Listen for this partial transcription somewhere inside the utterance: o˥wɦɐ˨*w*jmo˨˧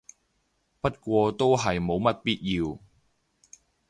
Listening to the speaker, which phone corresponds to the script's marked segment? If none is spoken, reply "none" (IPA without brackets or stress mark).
none